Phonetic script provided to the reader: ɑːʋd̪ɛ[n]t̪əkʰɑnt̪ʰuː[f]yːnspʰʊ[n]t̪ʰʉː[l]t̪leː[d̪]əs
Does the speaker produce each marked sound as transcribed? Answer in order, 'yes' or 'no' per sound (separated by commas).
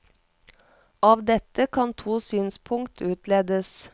no, no, no, no, yes